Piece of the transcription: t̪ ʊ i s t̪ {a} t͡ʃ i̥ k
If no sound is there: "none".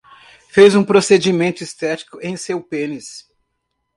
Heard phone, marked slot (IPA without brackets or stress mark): ɛ